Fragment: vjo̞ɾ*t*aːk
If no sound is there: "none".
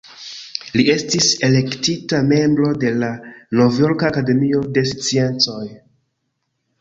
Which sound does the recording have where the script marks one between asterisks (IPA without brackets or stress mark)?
k